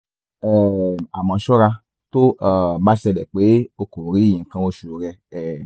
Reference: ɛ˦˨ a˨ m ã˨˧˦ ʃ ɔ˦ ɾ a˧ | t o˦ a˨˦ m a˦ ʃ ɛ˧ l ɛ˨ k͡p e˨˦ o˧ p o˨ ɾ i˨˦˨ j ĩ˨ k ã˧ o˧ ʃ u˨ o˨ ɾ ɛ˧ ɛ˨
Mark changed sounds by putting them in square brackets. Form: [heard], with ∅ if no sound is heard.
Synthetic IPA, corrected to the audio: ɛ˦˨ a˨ m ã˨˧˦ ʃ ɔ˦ ɾ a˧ | t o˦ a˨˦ [b] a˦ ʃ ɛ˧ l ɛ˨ k͡p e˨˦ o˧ [k] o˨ ɾ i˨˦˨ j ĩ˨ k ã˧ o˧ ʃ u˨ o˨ ɾ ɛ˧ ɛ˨